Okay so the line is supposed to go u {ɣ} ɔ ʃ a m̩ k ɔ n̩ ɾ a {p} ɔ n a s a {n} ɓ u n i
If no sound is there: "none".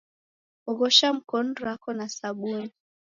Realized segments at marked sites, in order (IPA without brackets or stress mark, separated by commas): ɣ, k, none